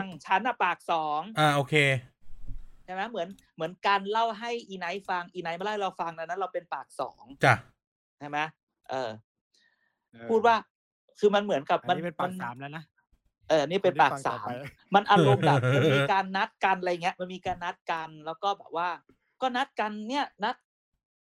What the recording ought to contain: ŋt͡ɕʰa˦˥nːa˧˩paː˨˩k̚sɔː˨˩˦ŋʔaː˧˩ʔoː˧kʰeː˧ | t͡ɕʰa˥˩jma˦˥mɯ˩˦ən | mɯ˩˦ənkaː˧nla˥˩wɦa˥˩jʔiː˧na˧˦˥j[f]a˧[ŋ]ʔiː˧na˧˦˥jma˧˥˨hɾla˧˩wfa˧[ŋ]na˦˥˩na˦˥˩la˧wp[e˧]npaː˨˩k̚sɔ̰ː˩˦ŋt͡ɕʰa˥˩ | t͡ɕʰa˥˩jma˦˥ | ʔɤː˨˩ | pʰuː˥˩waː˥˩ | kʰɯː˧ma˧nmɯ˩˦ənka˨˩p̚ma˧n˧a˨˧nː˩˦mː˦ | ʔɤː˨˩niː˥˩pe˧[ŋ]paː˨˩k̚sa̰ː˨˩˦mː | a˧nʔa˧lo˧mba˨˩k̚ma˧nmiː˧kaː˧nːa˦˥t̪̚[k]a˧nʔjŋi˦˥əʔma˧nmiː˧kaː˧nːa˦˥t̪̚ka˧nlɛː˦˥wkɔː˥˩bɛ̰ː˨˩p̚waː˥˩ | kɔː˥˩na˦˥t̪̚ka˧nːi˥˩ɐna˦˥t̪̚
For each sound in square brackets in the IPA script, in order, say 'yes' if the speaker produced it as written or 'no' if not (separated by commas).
yes, yes, yes, yes, no, yes